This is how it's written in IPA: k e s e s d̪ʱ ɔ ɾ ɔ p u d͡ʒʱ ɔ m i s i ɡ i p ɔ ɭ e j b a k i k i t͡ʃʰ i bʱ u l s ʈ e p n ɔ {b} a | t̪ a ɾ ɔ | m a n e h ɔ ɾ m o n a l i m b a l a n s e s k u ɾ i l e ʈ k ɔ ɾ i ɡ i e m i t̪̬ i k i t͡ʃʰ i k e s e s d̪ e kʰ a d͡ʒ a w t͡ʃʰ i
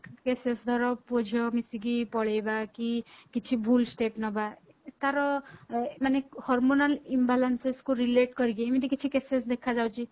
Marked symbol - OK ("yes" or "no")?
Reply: yes